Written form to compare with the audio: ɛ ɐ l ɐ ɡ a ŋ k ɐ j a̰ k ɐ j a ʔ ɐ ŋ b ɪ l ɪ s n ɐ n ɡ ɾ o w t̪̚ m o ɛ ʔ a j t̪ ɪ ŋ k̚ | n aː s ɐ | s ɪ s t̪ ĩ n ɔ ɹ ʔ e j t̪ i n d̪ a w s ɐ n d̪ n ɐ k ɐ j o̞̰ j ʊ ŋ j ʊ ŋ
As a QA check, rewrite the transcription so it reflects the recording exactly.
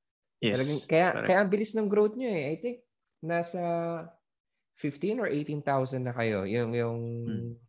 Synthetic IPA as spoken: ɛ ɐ l ɐ ɡ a ŋ k ɐ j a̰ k ɐ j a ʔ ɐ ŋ b ɪ l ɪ s n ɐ ŋ ɡ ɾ o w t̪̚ ɲ o ɛ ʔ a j t̪ ɪ ŋ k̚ | n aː s ɐ | f ɪ f t̪ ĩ n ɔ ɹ ʔ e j t̪ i n t̪ a w s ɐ n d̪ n ɐ k ɐ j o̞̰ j ʊ ŋ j ʊ ŋ